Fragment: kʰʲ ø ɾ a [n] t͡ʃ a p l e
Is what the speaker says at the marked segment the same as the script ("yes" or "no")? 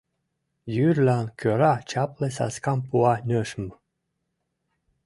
no